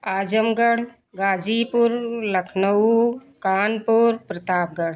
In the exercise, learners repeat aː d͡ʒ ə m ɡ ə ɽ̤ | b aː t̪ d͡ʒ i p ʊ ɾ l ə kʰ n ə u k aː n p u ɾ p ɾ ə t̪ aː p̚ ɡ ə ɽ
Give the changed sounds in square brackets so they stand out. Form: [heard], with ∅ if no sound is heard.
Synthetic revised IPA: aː d͡ʒ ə m ɡ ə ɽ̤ | [ɡ] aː [∅] d͡ʒ i p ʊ ɾ l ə kʰ n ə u k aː n p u ɾ p ɾ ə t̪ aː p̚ ɡ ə ɽ